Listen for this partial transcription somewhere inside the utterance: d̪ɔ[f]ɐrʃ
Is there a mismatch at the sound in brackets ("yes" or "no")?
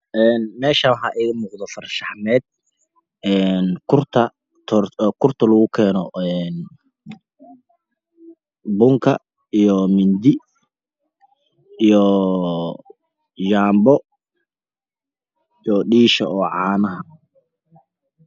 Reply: no